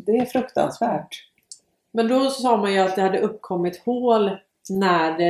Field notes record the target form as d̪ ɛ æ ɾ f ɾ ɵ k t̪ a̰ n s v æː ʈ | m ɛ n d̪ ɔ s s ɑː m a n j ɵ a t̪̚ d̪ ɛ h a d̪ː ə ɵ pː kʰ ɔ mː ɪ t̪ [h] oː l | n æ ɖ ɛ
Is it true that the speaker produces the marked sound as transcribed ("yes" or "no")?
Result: yes